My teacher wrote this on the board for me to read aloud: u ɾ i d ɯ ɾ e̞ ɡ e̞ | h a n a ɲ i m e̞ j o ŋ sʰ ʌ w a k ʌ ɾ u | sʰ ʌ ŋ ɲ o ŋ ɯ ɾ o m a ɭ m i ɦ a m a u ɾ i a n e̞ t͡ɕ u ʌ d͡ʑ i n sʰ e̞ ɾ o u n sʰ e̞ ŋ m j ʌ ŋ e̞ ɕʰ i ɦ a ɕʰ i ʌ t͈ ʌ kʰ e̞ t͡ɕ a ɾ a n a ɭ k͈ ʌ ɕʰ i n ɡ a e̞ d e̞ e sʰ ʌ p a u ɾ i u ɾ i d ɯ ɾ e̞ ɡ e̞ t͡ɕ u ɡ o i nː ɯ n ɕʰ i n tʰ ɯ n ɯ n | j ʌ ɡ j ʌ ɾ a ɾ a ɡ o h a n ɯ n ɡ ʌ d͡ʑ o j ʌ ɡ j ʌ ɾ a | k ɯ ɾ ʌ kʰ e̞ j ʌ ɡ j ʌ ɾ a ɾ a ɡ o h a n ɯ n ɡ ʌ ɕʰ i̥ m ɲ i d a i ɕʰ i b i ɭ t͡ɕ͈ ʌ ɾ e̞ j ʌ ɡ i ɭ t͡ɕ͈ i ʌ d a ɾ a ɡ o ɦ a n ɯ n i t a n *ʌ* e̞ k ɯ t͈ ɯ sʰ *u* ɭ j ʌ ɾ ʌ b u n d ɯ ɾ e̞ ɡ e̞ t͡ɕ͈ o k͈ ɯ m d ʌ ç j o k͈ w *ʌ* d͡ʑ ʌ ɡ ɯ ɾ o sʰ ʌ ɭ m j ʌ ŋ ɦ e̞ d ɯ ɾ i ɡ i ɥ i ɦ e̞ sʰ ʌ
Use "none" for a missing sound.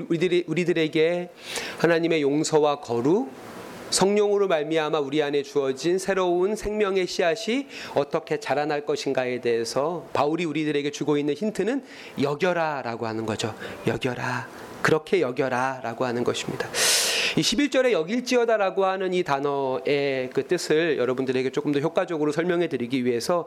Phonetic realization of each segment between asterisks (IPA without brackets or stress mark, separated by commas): ʌ, ɯ, a